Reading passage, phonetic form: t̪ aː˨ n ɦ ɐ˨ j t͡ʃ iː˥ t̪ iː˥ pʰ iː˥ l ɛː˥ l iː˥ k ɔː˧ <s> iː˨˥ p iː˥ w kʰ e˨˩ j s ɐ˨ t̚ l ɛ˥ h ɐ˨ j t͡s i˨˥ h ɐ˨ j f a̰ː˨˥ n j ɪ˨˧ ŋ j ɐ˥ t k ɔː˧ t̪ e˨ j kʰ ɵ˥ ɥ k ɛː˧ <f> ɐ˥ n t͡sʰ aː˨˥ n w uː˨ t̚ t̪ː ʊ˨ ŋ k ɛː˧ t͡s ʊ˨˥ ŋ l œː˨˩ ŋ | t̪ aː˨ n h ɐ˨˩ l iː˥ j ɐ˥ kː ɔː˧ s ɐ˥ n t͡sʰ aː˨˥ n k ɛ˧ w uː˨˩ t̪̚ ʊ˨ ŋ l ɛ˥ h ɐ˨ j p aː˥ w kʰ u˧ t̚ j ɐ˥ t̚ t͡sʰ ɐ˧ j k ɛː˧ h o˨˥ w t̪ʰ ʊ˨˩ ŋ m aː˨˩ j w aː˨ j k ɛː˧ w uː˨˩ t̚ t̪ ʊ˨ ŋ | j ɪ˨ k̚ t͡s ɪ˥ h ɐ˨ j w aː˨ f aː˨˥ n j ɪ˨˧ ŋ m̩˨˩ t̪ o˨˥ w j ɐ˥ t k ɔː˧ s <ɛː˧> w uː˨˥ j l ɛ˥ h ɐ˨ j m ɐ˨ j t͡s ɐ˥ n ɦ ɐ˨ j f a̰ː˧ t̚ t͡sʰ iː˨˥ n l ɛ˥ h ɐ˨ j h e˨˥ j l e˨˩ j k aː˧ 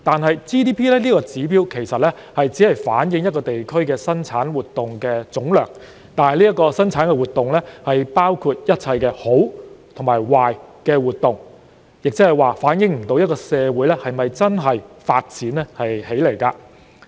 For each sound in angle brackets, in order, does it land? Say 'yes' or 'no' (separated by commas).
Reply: no, no, yes